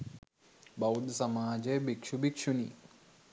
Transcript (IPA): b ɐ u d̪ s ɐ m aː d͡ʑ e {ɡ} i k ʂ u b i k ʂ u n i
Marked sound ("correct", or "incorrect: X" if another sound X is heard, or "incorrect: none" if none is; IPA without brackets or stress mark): incorrect: b